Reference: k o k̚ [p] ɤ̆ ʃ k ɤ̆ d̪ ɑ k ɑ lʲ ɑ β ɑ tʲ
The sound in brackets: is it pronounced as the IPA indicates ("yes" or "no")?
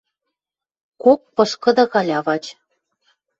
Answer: yes